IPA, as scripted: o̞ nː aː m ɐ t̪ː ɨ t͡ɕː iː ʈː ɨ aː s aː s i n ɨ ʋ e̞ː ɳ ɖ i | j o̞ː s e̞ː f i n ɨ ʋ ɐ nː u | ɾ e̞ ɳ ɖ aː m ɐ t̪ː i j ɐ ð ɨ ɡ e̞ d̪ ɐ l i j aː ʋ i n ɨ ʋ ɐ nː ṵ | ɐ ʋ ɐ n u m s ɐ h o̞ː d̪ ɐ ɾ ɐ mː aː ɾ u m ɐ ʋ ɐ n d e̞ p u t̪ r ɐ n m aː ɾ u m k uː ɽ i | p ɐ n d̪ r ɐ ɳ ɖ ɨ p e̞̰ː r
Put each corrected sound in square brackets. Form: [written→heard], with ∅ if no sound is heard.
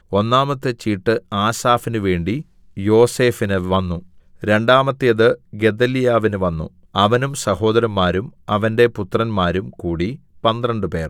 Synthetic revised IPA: o̞ nː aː m ɐ t̪ː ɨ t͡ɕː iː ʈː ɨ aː s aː [s→f] i n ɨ ʋ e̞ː ɳ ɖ i | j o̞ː s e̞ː f i n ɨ ʋ ɐ nː u | ɾ e̞ ɳ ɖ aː m ɐ t̪ː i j ɐ ð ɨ ɡ e̞ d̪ ɐ l i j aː ʋ i n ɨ ʋ ɐ nː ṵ | ɐ ʋ ɐ n u m s ɐ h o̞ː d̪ ɐ ɾ ɐ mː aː ɾ u m ɐ ʋ ɐ n d e̞ p u t̪ r ɐ n m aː ɾ u m k uː ɽ i | p ɐ n d̪ r ɐ ɳ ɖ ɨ p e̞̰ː r